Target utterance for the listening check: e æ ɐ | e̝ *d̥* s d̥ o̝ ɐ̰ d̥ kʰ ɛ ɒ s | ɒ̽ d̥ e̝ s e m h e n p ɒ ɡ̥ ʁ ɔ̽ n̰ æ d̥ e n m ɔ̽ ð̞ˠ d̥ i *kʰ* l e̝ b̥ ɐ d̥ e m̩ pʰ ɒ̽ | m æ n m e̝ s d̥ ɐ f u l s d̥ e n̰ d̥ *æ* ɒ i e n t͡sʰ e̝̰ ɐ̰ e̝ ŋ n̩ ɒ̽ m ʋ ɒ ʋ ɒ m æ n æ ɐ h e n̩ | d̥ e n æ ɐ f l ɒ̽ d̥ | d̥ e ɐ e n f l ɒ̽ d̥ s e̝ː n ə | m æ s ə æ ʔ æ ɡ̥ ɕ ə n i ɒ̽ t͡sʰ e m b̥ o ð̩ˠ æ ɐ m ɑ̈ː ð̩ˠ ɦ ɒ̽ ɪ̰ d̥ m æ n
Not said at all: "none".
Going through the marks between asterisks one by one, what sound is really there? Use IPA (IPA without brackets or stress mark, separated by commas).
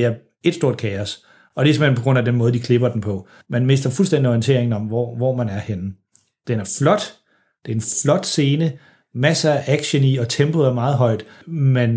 d̥, kʰ, i